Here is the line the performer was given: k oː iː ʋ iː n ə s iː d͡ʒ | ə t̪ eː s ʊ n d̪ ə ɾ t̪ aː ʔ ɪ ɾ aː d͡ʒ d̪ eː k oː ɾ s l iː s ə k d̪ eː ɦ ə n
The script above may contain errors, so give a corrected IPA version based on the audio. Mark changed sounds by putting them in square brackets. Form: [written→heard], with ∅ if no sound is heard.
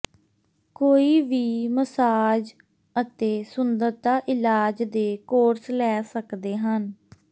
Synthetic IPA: k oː iː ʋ iː [n→m] ə s [iː→aː] d͡ʒ | ə t̪ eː s ʊ n d̪ ə ɾ t̪ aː ʔ ɪ [ɾ→l] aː d͡ʒ d̪ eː k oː ɾ s l [iː→ɛː] s ə k d̪ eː ɦ ə n